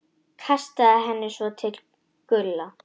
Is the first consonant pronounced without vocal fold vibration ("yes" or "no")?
yes